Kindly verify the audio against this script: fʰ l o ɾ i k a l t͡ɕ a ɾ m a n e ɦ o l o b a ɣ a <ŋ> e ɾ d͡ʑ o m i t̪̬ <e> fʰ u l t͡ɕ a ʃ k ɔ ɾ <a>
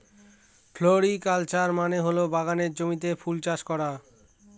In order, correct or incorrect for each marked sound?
incorrect, correct, correct

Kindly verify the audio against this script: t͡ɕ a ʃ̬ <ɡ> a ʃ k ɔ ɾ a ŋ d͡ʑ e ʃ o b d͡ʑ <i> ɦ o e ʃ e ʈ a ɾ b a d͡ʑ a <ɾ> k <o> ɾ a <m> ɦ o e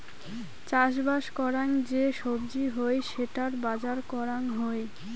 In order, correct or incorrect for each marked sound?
incorrect, correct, correct, incorrect, incorrect

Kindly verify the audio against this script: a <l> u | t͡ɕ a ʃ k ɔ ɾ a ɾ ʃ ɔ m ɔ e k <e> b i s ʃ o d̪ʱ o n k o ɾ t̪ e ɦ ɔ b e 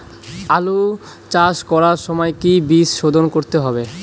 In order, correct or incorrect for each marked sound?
correct, incorrect

